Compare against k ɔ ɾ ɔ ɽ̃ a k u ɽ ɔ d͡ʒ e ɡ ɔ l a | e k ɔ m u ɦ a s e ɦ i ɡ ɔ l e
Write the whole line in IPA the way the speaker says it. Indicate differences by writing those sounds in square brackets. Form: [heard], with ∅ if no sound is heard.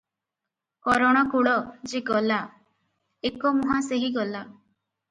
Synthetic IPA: k ɔ ɾ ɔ ɽ̃ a k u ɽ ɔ d͡ʒ e ɡ ɔ l a | e k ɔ m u ɦ a s e ɦ i ɡ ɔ l [a]